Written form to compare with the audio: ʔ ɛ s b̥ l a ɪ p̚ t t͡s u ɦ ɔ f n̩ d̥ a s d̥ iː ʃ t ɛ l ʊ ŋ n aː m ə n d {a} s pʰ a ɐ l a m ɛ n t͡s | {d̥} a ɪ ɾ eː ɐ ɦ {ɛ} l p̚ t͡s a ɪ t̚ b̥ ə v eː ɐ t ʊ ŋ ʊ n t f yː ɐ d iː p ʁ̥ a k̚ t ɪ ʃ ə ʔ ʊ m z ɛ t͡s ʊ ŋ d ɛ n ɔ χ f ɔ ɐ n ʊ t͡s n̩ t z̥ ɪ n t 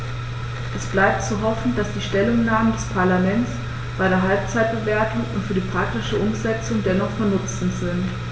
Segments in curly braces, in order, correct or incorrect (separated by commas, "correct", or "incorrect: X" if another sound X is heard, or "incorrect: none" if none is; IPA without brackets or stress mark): incorrect: ɛ, incorrect: b̥, incorrect: a